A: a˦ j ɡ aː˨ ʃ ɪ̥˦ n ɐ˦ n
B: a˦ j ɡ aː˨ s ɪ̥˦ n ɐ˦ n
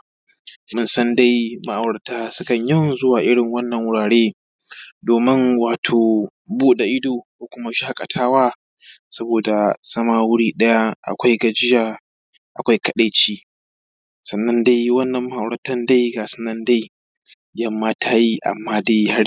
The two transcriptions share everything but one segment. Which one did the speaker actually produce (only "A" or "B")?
B